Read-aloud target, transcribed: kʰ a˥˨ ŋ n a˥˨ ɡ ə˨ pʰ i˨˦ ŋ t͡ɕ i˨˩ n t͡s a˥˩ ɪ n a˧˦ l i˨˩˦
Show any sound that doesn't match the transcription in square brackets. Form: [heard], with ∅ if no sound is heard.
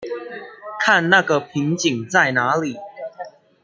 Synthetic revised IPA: kʰ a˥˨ [n] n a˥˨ ɡ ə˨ pʰ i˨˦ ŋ t͡ɕ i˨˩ [ŋ] t͡s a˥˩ ɪ n a˧˦ l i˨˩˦

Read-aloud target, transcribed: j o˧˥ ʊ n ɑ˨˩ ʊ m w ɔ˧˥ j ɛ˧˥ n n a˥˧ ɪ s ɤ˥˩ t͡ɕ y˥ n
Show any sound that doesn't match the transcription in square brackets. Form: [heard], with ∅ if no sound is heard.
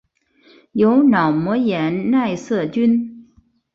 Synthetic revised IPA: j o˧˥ ʊ n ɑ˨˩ ʊ m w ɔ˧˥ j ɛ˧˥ n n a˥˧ ɪ s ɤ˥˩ t͡ɕ y˥ n

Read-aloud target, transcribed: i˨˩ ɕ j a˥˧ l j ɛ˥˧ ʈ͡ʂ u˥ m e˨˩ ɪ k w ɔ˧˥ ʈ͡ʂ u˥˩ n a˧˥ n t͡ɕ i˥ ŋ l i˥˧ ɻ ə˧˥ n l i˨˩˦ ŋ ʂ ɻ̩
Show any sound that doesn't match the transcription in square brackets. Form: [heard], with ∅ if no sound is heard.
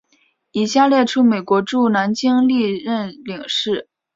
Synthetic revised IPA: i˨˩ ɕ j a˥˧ l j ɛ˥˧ [ʈ͡ʂʰ] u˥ m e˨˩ ɪ k w ɔ˧˥ ʈ͡ʂ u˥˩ n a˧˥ n t͡ɕ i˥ ŋ l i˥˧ ɻ [ə˥˩] n l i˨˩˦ ŋ ʂ ɻ̩

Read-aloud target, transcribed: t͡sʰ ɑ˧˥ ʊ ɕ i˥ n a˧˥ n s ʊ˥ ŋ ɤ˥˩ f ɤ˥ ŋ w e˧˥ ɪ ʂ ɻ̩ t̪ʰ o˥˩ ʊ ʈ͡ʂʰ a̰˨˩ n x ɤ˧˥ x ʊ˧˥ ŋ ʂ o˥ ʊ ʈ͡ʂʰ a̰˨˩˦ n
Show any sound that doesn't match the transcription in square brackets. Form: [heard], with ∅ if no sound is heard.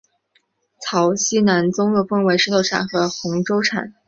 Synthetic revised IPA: t͡sʰ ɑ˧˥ ʊ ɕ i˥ n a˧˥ n [t͡s] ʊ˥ ŋ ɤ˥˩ f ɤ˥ ŋ w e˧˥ ɪ ʂ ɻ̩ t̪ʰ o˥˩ ʊ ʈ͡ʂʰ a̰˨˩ n x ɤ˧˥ x ʊ˧˥ ŋ [ʈ͡ʂ] o˥ ʊ ʈ͡ʂʰ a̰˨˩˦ n

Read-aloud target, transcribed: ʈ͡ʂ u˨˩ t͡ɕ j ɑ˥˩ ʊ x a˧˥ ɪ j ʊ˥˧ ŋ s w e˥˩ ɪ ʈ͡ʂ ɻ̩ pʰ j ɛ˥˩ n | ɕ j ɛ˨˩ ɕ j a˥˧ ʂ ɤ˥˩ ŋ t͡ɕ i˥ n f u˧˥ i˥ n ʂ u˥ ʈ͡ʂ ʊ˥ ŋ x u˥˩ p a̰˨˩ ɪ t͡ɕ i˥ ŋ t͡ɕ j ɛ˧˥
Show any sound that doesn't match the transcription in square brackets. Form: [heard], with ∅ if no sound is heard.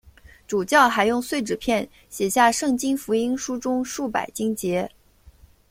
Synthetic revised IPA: ʈ͡ʂ u˨˩ t͡ɕ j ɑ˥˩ ʊ x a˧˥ ɪ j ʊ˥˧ ŋ s w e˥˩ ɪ ʈ͡ʂ ɻ̩ pʰ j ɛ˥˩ n | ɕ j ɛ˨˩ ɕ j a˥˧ ʂ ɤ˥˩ ŋ t͡ɕ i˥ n f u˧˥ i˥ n ʂ u˥ ʈ͡ʂ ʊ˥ ŋ [ʂ] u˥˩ p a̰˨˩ ɪ t͡ɕ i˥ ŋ t͡ɕ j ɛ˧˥

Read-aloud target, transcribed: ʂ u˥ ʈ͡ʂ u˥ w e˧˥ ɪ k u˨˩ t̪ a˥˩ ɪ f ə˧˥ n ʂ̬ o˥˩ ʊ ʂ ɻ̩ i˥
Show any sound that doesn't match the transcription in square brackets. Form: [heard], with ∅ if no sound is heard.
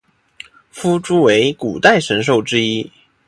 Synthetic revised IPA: [f] u˥ ʈ͡ʂ u˥ w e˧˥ ɪ k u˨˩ t̪ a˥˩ ɪ [ʂ] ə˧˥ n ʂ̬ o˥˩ ʊ [ʈ͡ʂ] ɻ̩ i˥

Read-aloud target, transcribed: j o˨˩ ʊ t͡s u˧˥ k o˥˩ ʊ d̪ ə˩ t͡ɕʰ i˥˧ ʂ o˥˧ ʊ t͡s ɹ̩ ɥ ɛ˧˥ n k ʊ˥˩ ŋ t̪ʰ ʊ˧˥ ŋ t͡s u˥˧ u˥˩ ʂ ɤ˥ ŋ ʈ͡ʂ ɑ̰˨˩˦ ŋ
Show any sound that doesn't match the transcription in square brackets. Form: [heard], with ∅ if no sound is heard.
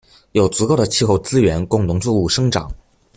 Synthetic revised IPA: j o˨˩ ʊ t͡s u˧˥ k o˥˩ ʊ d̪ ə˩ t͡ɕʰ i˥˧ [x] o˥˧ ʊ t͡s ɹ̩ ɥ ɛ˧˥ n k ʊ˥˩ ŋ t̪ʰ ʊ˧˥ ŋ t͡s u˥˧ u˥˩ ʂ ɤ˥ ŋ ʈ͡ʂ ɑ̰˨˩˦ ŋ

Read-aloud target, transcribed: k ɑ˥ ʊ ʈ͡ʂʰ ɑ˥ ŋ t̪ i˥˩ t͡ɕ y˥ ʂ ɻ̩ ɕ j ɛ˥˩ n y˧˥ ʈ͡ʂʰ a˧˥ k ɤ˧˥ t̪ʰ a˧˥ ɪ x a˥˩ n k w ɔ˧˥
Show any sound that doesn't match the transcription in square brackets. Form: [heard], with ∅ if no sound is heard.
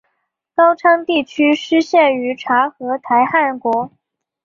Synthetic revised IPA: k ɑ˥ ʊ ʈ͡ʂʰ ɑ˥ ŋ t̪ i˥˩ [t͡ɕʰ] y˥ ʂ ɻ̩ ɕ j ɛ˥˩ n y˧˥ ʈ͡ʂʰ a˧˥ [x] ɤ˧˥ t̪ʰ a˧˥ ɪ x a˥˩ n k w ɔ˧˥

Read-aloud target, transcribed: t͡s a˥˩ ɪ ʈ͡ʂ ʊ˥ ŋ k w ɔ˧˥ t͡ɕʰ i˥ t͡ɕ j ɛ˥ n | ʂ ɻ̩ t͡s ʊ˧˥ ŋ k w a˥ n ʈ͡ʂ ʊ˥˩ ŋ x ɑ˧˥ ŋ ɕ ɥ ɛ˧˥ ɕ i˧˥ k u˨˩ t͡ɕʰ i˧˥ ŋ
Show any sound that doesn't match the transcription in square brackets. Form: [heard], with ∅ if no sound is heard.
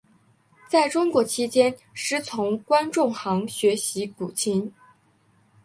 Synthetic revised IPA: t͡s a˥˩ ɪ ʈ͡ʂ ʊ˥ ŋ k w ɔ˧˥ t͡ɕʰ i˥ t͡ɕ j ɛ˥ n | ʂ ɻ̩ [t͡sʰ] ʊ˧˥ ŋ k w a˥ n ʈ͡ʂ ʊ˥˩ ŋ x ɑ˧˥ ŋ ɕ ɥ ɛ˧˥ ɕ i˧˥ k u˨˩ t͡ɕʰ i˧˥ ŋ

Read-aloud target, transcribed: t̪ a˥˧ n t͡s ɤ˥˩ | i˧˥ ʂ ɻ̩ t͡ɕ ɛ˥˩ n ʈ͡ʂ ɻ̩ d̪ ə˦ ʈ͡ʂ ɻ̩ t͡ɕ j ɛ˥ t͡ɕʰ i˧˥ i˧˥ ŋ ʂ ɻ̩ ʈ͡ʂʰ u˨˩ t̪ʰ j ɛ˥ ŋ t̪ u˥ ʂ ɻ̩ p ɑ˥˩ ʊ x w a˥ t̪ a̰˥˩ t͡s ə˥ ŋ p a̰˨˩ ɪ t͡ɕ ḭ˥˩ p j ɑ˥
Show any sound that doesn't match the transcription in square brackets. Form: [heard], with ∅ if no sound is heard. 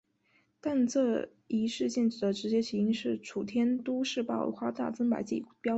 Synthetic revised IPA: t̪ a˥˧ n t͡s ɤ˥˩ | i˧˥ ʂ ɻ̩ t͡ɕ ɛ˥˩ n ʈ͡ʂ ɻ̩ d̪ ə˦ ʈ͡ʂ ɻ̩ t͡ɕ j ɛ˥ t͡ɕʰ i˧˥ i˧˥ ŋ ʂ ɻ̩ ʈ͡ʂʰ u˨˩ t̪ʰ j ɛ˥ [n] t̪ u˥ ʂ ɻ̩ p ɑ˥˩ ʊ x w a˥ t̪ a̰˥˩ t͡s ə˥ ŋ p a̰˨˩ ɪ t͡ɕ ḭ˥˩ p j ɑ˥

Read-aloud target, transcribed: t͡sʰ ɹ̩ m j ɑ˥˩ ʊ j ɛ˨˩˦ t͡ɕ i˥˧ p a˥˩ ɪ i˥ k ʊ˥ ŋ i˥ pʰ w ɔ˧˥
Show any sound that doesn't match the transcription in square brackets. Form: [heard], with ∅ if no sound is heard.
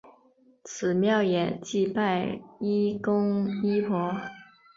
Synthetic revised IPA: t͡sʰ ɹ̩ m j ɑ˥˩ ʊ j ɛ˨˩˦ t͡ɕ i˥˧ p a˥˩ ɪ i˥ k ʊ˥ ŋ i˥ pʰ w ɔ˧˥

